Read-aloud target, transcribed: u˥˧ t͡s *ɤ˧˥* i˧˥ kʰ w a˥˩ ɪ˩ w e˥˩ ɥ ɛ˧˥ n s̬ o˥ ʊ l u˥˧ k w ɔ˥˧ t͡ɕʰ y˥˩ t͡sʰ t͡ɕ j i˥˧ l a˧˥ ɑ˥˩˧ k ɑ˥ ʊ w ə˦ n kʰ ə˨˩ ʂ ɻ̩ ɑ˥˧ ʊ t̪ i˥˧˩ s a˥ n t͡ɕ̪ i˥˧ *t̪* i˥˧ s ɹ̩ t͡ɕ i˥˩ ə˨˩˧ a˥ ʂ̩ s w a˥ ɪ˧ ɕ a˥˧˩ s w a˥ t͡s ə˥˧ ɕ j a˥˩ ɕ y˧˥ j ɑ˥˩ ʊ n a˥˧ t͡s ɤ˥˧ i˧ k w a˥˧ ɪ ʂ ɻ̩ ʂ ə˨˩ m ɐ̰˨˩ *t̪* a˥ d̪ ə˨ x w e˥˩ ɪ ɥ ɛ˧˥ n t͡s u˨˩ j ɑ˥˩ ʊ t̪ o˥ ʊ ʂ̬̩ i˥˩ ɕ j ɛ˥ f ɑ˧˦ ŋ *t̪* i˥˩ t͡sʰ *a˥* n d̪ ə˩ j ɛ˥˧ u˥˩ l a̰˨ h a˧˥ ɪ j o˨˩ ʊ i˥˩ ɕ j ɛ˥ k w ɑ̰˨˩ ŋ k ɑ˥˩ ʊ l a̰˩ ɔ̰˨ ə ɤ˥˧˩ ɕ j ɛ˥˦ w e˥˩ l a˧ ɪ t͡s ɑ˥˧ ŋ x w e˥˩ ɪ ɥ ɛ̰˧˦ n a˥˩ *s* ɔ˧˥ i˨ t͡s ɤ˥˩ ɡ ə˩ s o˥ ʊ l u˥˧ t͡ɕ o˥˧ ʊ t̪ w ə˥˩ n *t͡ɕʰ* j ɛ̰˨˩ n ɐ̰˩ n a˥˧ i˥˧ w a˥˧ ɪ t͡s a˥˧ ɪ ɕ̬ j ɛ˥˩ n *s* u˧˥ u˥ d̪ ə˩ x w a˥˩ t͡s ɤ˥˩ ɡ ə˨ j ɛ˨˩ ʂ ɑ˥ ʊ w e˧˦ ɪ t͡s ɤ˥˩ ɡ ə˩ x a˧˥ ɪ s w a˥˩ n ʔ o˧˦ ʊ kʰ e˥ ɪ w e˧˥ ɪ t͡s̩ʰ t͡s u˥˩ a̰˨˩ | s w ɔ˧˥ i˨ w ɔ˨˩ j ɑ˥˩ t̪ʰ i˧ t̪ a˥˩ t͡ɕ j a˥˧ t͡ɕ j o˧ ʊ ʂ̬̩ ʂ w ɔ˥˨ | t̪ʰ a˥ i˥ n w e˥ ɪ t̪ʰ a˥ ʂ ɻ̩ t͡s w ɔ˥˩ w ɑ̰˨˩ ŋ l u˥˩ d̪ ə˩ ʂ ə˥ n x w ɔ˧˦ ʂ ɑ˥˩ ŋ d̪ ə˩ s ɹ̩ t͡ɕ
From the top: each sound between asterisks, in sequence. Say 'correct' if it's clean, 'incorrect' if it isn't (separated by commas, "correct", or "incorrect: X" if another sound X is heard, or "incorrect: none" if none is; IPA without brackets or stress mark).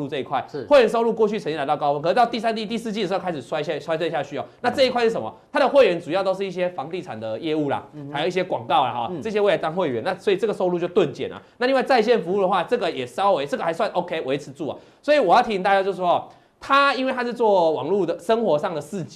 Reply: incorrect: ɤ˥˧, correct, incorrect: t̪ʰ, correct, incorrect: a˨˩, correct, incorrect: t͡ɕ, incorrect: f